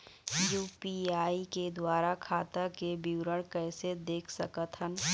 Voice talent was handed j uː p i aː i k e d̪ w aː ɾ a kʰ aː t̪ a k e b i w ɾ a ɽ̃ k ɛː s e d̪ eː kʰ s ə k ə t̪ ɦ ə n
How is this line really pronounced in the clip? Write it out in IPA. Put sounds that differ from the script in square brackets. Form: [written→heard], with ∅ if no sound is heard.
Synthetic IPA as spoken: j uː p i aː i k e d̪ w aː ɾ a kʰ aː t̪ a k e b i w ɾ [a→ə] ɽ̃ k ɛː s e d̪ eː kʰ s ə k ə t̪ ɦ ə n